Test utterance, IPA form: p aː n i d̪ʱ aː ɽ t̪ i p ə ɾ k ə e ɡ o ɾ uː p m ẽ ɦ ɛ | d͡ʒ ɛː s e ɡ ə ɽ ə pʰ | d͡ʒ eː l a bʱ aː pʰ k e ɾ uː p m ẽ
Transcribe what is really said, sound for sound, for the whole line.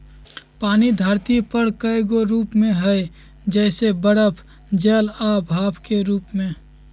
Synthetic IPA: p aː n i d̪ʱ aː ɾ t̪ i p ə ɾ k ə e ɡ o ɾ uː p m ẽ ɦ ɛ | d͡ʒ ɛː s e b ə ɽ ə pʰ | d͡ʒ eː l a bʱ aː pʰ k e ɾ uː p m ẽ

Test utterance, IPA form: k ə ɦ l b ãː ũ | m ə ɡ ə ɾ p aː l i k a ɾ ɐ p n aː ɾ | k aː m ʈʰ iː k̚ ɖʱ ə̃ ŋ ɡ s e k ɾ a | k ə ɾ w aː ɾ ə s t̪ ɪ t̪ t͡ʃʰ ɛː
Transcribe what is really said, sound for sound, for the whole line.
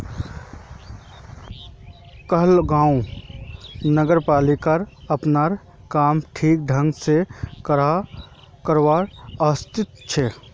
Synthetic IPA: k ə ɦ l ɡ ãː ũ | n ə ɡ ə ɾ p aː l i k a ɾ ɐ p n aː ɾ | k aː m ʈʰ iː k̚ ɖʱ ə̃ ŋ ɡ s e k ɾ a | k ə ɾ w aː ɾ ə s t̪ ɪ t̪ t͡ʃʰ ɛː

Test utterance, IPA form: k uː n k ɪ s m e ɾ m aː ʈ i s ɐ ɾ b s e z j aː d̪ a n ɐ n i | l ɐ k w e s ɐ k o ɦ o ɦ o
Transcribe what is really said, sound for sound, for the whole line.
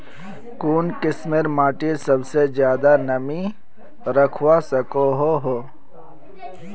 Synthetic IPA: k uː n k ɪ s m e ɾ m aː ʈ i s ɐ b s e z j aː d̪ a n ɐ m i | ɾ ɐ kʰ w a s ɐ k o ɦ o ɦ o

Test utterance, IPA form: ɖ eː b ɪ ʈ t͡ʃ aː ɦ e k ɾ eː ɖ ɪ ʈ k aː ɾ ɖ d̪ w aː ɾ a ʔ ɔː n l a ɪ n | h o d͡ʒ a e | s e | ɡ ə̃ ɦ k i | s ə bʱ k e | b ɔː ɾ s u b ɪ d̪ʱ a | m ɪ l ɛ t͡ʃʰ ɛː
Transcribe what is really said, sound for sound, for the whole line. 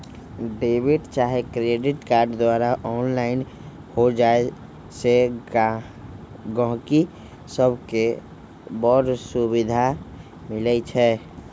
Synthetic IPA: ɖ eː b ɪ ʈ t͡ʃ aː ɦ e k ɾ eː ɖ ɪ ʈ k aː ɾ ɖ d̪ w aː ɾ a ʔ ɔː n l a ɪ n | h o d͡ʒ a e | s e | ɡ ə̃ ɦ k i | s ə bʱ k e | b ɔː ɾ s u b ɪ d̪ʱ a | m ɪ l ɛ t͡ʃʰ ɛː

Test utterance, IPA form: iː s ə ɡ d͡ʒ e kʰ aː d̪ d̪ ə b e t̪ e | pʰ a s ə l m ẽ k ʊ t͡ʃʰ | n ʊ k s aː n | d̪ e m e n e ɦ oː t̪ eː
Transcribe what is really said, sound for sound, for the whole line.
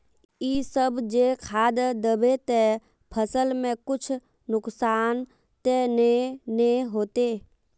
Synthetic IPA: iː s ə b d͡ʒ e kʰ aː d̪ d̪ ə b e t̪ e | pʰ ə s ə l m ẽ k ʊ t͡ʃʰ | n ʊ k s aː n | t̪ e n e n e ɦ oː t̪ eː

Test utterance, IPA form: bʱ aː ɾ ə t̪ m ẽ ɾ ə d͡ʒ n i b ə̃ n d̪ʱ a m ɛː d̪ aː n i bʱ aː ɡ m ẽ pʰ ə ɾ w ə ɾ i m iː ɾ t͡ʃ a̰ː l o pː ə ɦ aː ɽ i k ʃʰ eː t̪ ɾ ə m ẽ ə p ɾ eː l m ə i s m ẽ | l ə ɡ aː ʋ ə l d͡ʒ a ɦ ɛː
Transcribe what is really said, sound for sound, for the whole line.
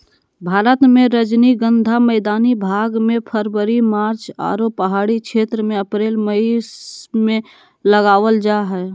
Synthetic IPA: bʱ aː ɾ ə t̪ m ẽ ɾ ə d͡ʒ n i ɡ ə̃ n d̪ʱ a m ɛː d̪ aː n i bʱ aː ɡ m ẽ pʰ ə ɾ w ə ɾ i m aː ɾ t͡ʃ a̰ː ɾ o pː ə ɦ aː ɽ i k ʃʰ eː t̪ ɾ ə m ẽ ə p ɾ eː l m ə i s m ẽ | l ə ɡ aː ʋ ə l d͡ʒ a ɦ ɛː

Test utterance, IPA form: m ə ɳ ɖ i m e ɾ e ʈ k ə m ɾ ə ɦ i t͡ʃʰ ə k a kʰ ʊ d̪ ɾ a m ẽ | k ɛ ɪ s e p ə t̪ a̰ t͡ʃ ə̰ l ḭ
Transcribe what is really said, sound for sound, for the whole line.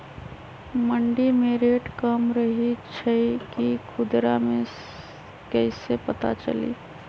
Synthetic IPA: m ə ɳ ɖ i m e ɾ e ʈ k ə m ɾ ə ɦ i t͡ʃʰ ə k i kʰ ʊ d̪ ɾ a m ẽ | k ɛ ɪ s e p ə t̪ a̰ t͡ʃ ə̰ l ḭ

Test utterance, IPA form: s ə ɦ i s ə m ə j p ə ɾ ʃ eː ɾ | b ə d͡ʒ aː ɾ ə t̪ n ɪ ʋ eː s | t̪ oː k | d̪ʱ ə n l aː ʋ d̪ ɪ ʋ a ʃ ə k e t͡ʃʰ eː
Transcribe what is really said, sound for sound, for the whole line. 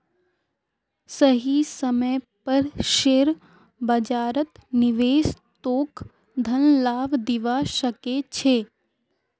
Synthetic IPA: s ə ɦ i s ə m ə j p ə ɾ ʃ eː ɾ | b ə d͡ʒ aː ɾ ə t̪ n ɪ ʋ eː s | t̪ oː k | d̪ʱ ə n l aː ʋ d̪ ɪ ʋ a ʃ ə k e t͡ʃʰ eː

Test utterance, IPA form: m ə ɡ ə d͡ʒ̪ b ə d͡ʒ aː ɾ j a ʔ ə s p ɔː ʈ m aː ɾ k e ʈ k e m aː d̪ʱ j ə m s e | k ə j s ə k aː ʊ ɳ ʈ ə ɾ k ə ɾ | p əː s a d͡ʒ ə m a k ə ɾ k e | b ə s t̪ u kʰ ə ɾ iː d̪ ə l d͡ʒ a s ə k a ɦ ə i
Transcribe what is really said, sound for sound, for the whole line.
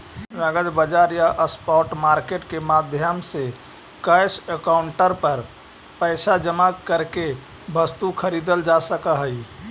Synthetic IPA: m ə ɡ ə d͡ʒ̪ b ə d͡ʒ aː ɾ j a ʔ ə s p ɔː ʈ m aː ɾ k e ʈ k e m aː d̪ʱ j ə m s e | k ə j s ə k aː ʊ ɳ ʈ ə ɾ p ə ɾ | p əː s a d͡ʒ ə m a k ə ɾ k e | b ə s t̪ u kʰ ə ɾ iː d̪ ə l d͡ʒ a s ə k a ɦ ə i

